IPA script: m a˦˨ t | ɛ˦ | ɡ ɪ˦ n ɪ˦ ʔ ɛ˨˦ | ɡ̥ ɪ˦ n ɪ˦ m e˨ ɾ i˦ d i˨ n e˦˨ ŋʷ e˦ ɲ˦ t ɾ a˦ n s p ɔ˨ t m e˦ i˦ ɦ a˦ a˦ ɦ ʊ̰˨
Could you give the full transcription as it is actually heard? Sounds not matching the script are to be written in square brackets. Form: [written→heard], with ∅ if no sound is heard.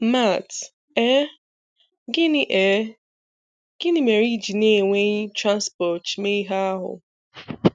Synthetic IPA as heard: m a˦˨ t | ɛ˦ | ɡ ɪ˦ n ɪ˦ ʔ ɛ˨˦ | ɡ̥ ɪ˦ n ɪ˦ m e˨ ɾ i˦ [d→d͡ʒ] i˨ n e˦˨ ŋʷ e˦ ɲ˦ t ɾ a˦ n s p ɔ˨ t m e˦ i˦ ɦ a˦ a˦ ɦ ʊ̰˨

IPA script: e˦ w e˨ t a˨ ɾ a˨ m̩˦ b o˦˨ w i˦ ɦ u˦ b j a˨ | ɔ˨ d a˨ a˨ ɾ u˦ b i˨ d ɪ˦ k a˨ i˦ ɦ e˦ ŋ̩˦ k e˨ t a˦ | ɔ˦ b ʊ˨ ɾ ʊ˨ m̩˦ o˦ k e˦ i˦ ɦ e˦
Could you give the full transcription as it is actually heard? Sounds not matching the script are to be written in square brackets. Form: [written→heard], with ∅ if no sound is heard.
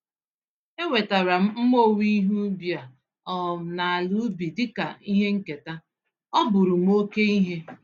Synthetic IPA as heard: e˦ w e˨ t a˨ ɾ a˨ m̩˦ [b→m] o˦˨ w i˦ ɦ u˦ b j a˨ | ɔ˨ [d→n] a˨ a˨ [ɾ→l] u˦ b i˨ d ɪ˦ k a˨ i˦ ɦ e˦ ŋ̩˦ k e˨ t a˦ | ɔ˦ b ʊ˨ ɾ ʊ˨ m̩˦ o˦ k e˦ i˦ ɦ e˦

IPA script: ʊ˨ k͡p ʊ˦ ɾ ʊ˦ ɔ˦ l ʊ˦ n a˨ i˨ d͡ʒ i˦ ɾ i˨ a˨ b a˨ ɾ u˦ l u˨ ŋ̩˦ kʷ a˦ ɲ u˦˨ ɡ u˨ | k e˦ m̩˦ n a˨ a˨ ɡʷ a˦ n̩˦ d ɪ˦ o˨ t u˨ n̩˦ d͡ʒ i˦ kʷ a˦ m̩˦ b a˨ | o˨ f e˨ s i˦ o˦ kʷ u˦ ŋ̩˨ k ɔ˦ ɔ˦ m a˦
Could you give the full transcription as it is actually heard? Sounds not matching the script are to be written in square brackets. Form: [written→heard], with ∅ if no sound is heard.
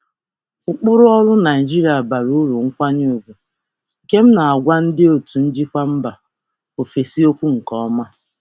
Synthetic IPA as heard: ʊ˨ k͡p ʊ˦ ɾ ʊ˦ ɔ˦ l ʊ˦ n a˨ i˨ d͡ʒ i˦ ɾ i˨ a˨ b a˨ ɾ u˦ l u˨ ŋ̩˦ kʷ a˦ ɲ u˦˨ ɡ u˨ | k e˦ m̩˦ n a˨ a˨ ɡʷ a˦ n̩˦ d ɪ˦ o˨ t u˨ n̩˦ d͡ʒ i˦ kʷ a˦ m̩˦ b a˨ | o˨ f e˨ s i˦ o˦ kʷ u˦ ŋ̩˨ k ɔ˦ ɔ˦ m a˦

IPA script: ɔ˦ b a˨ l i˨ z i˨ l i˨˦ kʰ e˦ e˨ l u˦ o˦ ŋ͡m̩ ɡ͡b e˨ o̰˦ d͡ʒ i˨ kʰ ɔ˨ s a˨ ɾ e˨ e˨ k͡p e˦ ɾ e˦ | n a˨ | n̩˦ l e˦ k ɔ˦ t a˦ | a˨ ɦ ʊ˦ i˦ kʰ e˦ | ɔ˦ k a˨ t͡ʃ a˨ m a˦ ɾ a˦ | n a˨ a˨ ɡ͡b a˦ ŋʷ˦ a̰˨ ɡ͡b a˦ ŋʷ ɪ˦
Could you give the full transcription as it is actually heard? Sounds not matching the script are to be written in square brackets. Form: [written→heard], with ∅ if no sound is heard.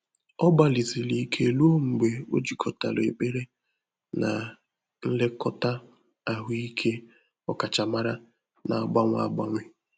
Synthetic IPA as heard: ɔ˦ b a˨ l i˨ z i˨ l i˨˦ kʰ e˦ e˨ l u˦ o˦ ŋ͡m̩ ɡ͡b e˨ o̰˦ d͡ʒ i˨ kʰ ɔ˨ [s→t] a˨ [ɾ→l] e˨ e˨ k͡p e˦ ɾ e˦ | n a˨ | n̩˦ l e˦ k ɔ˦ t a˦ | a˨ ɦ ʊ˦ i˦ kʰ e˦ | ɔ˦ k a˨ t͡ʃ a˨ m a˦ ɾ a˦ | n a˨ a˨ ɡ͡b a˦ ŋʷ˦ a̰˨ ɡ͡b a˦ ŋʷ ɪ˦

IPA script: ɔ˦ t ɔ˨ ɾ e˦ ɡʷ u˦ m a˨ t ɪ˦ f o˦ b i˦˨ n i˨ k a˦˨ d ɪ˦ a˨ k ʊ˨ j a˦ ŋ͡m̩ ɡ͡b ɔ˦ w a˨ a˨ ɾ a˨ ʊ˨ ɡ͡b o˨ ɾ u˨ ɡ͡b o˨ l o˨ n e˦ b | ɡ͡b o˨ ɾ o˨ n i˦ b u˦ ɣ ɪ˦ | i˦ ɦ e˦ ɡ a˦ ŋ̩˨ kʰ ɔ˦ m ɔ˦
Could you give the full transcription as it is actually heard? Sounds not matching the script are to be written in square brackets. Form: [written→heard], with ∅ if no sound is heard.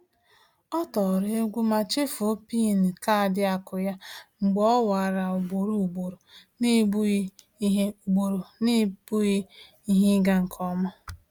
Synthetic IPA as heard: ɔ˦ t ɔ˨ ɾ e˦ ɡʷ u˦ m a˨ [t→t͡ʃ] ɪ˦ f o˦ [b→p] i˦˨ n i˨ k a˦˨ d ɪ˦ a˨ k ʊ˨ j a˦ ŋ͡m̩ ɡ͡b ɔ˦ w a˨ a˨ ɾ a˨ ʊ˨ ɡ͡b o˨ ɾ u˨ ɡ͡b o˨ [l→ɾ] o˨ n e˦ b | ɡ͡b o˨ ɾ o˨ n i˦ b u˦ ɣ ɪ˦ | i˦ ɦ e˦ ɡ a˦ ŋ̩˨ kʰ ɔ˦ m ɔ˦

